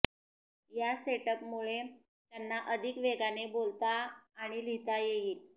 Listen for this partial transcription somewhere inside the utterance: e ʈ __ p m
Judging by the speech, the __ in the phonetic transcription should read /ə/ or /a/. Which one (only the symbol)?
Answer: ə